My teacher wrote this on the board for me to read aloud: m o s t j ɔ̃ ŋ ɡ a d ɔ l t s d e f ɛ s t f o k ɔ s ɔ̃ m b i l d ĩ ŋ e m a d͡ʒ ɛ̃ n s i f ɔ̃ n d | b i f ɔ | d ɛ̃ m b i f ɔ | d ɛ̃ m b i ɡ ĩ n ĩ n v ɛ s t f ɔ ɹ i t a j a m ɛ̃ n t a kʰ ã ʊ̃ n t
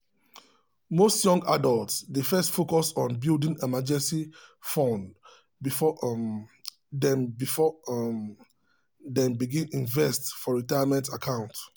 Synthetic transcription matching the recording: m o s t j ɔ̃ ŋ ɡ a d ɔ l t s d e f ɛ s t f o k ɔ s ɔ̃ n b i l d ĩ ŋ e m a d͡ʒ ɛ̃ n s i f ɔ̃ n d | b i f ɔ | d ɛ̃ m b i f ɔ | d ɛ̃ m b i ɡ ĩ n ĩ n v ɛ s t f ɔ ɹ i t a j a m ɛ̃ n t a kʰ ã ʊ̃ n t